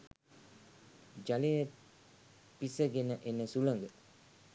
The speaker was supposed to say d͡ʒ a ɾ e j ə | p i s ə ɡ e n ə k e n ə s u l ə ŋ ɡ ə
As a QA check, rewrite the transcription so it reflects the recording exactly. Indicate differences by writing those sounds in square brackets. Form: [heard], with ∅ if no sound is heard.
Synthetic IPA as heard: d͡ʒ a [l] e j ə | p i s ə ɡ e n ə [ʔ] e n ə s u l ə ŋ ɡ ə